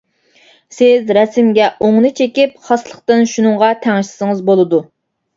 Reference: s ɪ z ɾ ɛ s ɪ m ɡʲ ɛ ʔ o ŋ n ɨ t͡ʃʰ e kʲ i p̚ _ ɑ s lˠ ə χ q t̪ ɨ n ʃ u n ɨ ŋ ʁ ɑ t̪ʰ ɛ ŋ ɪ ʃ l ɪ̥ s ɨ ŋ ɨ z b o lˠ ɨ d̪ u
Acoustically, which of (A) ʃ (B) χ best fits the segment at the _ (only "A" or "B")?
B